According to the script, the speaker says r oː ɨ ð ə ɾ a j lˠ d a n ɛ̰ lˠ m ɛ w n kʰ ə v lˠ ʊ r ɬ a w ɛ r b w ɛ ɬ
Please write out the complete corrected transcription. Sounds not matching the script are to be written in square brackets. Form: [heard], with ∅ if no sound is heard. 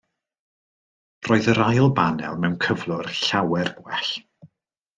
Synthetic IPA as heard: r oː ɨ ð ə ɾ a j lˠ [b] a n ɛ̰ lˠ m ɛ w n kʰ ə v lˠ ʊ r ɬ a w ɛ r b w ɛ ɬ

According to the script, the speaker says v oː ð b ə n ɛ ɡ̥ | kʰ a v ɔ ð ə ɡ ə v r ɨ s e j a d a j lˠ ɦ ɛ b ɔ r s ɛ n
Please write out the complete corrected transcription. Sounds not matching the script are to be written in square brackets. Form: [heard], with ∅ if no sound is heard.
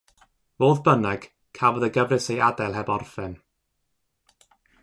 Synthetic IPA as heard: v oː ð b ə n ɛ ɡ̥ | kʰ a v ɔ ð ə ɡ ə v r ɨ s e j a d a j lˠ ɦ ɛ b ɔ r [f] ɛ n

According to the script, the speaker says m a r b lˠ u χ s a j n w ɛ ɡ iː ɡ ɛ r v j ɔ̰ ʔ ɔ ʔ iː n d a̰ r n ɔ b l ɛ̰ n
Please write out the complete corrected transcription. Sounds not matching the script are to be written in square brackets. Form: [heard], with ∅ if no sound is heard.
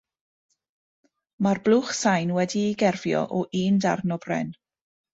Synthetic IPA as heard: m a r b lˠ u χ s a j n w ɛ [d] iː ɡ ɛ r v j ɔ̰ ʔ ɔ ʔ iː n d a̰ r n ɔ b [r] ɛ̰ n

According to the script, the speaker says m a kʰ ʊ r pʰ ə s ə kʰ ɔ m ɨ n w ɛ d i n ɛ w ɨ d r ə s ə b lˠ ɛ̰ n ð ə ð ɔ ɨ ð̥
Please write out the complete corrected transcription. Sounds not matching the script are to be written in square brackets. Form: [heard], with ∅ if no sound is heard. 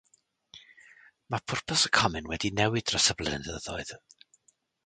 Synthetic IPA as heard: m a [pʰ] ʊ r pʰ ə s ə kʰ ɔ m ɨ n w ɛ d i n ɛ w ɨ d r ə s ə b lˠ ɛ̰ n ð ə ð ɔ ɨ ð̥

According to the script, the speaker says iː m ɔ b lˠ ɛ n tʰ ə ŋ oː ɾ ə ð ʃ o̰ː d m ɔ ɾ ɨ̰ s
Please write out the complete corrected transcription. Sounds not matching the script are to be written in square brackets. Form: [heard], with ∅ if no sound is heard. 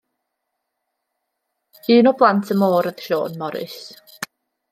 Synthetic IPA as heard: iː [n] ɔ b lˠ [a] n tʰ ə [m] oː ɾ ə ð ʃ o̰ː [n] m ɔ ɾ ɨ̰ s

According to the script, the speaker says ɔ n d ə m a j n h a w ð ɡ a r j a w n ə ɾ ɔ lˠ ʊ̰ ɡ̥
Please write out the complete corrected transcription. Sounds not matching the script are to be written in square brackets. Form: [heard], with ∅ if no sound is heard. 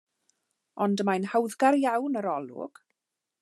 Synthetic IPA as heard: ɔ n d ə m a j n h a w ð ɡ a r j a w n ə ɾ ɔ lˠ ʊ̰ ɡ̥

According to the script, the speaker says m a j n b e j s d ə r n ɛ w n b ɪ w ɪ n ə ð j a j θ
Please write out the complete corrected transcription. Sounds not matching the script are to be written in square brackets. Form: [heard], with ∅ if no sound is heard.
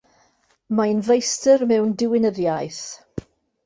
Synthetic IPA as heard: m a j n [v] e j s [t] ə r [m] ɛ w n [d] ɪ w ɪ n ə ð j a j θ

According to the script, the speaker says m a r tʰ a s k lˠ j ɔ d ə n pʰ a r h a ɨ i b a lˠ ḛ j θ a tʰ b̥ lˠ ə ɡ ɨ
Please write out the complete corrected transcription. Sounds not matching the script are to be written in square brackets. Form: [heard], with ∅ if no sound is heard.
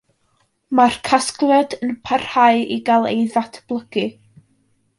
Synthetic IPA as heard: m a r [kʰ] a s k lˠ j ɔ d ə n pʰ a r h a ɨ i [ɡ] a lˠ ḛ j [ð] a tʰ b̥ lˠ ə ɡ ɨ

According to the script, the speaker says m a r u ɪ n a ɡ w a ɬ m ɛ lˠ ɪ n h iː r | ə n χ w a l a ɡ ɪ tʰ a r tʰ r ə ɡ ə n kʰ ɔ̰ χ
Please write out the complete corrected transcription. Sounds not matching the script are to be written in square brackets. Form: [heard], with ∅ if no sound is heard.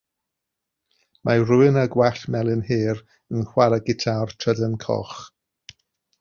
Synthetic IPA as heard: m a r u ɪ n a ɡ w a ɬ m ɛ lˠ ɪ n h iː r | ə n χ w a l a ɡ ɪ tʰ a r tʰ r ə [d] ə n kʰ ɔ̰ χ

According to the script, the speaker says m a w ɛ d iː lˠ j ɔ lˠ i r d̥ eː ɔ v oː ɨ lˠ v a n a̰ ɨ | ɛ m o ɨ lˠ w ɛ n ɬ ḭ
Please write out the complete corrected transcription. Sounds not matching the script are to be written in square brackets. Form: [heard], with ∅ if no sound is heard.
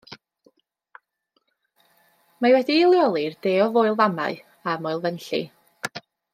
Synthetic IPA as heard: m a w ɛ d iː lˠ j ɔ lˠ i r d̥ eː ɔ v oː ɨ lˠ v a [m] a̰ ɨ | [a] m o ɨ lˠ [v] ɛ n ɬ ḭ

